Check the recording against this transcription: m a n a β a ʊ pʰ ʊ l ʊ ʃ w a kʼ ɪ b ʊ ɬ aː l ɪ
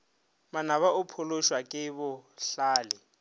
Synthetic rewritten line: m a n a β a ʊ pʰ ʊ l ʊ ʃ w a kʼ ɪ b ʊ ɬ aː l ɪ